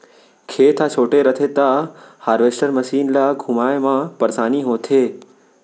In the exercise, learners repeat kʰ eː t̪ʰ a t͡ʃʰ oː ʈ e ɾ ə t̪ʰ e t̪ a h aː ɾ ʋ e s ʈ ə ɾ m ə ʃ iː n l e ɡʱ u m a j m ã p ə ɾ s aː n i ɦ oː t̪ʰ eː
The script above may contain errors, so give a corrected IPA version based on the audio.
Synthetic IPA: kʰ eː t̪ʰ a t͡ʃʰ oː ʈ e ɾ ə t̪ʰ e t̪ a h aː ɾ ʋ e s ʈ ə ɾ m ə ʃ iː n l a ɡʱ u m a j m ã p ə ɾ s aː n i ɦ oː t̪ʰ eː